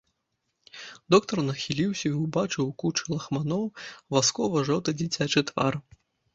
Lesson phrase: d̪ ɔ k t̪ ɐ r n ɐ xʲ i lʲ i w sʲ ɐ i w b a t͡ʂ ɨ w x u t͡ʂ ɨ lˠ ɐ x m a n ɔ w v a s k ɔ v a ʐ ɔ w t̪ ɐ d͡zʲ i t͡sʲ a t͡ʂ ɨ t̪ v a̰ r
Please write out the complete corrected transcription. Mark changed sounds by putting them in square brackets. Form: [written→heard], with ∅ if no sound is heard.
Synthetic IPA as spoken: d̪ ɔ k t̪ ɐ r n ɐ xʲ i lʲ i w sʲ ɐ i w b a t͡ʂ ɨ w [x→k] u t͡ʂ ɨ lˠ ɐ x m a n ɔ w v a s k ɔ v [a→ɐ] ʐ ɔ w t̪ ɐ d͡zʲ i t͡sʲ a t͡ʂ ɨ t̪ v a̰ r